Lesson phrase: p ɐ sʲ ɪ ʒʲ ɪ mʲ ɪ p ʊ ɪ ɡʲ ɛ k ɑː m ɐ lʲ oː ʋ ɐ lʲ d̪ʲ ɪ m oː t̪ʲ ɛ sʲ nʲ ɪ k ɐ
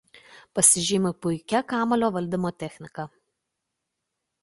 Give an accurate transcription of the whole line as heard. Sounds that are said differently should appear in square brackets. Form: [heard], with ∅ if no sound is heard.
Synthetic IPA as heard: p ɐ sʲ ɪ ʒʲ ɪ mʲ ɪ p ʊ ɪ [kʲ] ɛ k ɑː m ɐ lʲ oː ʋ ɐ lʲ d̪ʲ ɪ m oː t̪ʲ ɛ [xʲ] nʲ ɪ k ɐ

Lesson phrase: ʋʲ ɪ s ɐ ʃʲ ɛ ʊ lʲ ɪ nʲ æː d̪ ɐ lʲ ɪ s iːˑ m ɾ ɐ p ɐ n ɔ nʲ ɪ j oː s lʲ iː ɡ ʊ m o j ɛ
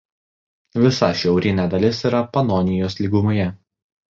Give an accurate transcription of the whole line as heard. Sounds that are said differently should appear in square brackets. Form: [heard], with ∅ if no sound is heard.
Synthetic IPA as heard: ʋʲ ɪ s ɐ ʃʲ ɛ ʊ [ɾʲ] ɪ nʲ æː d̪ ɐ lʲ ɪ s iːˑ [∅] ɾ ɐ p ɐ n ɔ nʲ ɪ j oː s lʲ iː ɡ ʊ m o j ɛ

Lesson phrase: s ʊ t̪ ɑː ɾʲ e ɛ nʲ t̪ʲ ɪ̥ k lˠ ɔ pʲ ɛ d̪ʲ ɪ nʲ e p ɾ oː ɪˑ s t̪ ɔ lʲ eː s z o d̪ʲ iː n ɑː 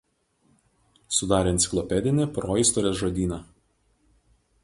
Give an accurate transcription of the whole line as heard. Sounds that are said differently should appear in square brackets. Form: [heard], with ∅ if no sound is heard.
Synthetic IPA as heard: s ʊ [d̪] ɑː ɾʲ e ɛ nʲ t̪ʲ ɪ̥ k lˠ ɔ pʲ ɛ d̪ʲ ɪ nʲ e p ɾ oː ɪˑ s t̪ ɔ [ɾʲ] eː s [ʒ] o d̪ʲ iː n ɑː

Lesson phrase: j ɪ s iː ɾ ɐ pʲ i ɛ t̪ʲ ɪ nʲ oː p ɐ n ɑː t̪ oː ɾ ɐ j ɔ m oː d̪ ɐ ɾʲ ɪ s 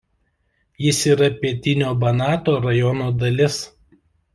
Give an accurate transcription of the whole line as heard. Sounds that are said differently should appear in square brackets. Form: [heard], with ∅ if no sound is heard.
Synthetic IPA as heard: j ɪ s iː ɾ ɐ pʲ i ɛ t̪ʲ ɪ nʲ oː [b] ɐ n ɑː t̪ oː ɾ ɐ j ɔ [n] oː d̪ ɐ [lʲ] ɪ s

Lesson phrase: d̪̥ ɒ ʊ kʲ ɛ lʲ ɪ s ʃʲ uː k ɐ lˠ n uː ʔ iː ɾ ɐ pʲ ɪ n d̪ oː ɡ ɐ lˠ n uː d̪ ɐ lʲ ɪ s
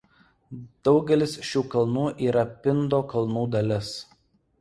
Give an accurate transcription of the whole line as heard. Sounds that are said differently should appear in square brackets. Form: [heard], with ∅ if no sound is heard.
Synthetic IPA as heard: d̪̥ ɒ ʊ [ɡʲ] ɛ lʲ ɪ s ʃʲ uː k ɐ lˠ n uː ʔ iː ɾ ɐ pʲ ɪ n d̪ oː [k] ɐ lˠ n uː d̪ ɐ lʲ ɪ s

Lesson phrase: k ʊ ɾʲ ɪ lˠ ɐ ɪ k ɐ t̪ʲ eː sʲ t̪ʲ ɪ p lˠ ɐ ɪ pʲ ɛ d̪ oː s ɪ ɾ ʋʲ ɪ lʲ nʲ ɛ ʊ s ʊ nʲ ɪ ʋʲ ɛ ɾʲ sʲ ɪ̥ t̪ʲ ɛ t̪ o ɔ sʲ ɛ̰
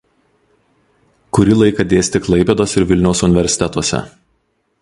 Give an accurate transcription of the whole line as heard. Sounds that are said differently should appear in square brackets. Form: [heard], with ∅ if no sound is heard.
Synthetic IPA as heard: k ʊ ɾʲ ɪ lˠ ɐ ɪ k ɐ [d̪ʲ] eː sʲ t̪ʲ ɪ [k] lˠ ɐ ɪ pʲ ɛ d̪ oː s ɪ ɾ ʋʲ ɪ lʲ nʲ ɛ ʊ s ʊ nʲ ɪ ʋʲ ɛ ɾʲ sʲ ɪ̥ t̪ʲ ɛ t̪ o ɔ sʲ ɛ̰

